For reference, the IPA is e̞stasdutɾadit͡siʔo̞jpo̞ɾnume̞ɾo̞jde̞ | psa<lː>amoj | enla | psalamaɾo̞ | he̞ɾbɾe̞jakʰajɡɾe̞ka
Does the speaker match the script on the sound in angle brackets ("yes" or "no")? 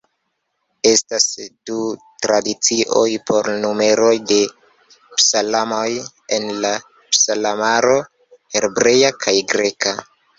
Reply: no